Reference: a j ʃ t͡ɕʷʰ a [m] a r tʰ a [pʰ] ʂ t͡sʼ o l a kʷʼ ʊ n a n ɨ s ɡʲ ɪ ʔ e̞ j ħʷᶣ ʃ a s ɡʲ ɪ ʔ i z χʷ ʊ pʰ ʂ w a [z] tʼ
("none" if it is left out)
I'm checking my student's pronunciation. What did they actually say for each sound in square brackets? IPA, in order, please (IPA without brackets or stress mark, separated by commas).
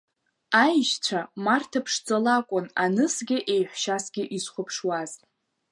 m, pʰ, z